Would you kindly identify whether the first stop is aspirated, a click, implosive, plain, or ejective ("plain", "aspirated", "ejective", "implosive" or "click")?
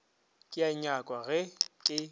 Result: ejective